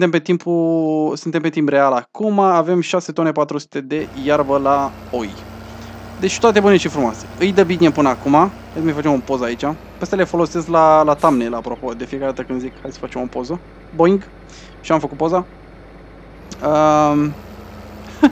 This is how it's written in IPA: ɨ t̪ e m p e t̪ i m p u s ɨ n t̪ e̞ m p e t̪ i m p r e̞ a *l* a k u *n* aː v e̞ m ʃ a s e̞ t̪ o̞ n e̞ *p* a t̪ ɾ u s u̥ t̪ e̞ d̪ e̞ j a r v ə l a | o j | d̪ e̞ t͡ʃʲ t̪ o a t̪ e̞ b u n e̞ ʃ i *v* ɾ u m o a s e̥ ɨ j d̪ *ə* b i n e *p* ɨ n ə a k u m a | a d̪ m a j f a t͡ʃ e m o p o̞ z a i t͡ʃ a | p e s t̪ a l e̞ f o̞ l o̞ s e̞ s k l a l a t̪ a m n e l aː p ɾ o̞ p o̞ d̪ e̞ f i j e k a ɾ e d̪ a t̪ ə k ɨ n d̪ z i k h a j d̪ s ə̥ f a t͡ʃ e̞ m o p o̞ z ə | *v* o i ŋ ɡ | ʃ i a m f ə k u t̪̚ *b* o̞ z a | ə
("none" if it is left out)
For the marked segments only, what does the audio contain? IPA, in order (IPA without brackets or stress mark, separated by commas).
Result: l, m, p, f, ə, p, b, p